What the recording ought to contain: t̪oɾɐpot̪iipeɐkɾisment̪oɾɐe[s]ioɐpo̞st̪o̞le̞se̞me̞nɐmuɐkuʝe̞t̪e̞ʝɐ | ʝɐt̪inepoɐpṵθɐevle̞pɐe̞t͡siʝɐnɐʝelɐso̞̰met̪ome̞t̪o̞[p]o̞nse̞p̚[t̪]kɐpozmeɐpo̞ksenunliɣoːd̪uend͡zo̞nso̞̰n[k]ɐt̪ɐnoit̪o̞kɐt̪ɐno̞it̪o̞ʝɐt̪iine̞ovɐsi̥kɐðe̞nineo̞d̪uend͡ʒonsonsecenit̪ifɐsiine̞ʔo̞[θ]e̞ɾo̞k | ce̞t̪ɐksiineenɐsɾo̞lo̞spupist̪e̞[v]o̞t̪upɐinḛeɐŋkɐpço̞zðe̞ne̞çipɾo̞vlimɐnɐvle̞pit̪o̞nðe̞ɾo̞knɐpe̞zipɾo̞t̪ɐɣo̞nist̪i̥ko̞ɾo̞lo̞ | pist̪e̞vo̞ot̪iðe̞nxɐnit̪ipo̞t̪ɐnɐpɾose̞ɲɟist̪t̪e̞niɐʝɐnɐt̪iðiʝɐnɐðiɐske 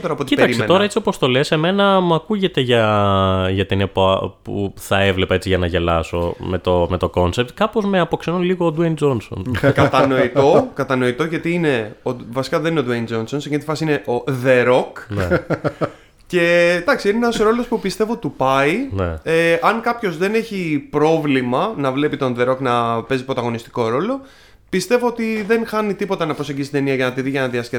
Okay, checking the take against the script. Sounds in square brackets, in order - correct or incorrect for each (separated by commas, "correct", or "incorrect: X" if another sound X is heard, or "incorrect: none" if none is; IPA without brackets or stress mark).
incorrect: t͡s, incorrect: k, correct, correct, incorrect: ð, correct